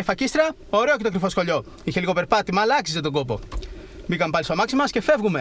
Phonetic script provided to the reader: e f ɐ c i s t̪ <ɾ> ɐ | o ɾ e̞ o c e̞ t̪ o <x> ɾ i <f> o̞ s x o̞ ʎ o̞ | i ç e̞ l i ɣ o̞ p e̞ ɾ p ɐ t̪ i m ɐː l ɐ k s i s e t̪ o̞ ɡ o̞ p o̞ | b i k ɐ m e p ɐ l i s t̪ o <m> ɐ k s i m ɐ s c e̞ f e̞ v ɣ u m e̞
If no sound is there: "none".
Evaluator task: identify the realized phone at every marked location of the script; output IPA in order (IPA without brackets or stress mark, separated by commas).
ɾ, k, f, m